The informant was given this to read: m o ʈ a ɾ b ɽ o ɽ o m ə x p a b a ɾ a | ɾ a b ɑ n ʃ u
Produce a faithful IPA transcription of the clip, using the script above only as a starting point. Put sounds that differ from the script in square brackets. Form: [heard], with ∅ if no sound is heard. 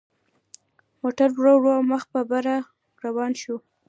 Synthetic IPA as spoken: m o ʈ a ɾ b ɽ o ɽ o m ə x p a b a ɾ a | ɾ a [w] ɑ n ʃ u

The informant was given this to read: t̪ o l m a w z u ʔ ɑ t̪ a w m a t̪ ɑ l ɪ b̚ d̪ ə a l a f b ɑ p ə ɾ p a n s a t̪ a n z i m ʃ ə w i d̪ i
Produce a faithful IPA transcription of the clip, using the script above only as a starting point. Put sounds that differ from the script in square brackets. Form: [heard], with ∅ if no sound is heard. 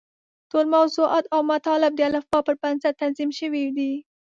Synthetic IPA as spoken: t̪ o l m a w z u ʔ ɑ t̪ a w m a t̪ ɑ l ɪ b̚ d̪ ə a l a f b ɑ p ə ɾ p a n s a t̪ a n z i m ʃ ə w i d̪ i

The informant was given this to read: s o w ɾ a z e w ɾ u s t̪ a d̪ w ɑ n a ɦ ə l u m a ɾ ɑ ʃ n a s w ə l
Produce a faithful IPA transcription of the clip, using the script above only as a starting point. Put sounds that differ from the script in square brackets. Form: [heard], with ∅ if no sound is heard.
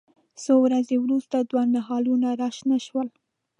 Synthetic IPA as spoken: s o w ɾ a z e w ɾ u s t̪ a d̪ w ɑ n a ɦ [ɑ] l u [n] a ɾ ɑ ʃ n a [ʃ] w ə l

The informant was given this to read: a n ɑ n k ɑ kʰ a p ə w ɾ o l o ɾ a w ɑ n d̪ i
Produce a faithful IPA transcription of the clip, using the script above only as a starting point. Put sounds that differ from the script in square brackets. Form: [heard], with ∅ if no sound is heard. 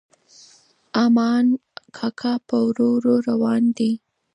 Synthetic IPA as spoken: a [m] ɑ n [kʰ] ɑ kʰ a p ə w ɾ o [ɾ] o ɾ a w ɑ n d̪ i

